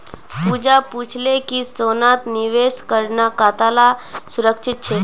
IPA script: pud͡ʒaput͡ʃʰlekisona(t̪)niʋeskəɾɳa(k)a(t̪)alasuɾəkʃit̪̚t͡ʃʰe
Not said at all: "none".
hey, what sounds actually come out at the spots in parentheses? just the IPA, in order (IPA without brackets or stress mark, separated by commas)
t̪, k, t̪